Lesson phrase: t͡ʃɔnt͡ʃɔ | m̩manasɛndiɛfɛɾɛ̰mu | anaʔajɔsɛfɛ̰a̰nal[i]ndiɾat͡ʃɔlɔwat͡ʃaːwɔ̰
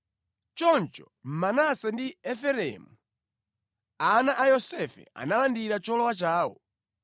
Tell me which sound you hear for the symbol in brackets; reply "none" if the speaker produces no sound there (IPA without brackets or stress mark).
a